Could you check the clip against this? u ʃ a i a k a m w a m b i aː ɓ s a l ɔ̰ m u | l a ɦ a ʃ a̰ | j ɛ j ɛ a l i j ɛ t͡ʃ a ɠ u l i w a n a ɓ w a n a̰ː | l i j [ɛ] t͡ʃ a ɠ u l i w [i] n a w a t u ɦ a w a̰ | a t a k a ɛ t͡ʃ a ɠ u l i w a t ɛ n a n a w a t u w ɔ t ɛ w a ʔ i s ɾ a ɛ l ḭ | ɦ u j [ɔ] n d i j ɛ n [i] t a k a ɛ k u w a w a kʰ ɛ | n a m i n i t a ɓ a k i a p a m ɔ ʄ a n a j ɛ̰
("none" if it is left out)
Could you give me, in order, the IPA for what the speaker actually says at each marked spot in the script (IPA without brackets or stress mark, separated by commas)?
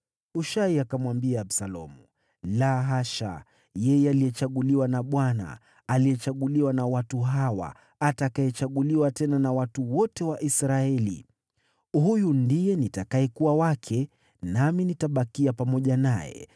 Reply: ɛ, a, u, i